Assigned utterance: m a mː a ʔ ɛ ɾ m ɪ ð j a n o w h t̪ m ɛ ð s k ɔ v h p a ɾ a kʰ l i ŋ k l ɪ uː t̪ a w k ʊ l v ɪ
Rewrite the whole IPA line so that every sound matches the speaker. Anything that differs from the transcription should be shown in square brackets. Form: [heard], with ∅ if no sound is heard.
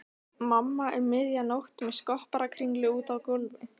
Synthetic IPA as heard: m a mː a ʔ ɛ ɾ m ɪ ð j a n o w h t̪ m ɛ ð s k ɔ [∅] h p a ɾ a kʰ [ɾ] i ŋ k l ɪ uː t̪ a w k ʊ l v ɪ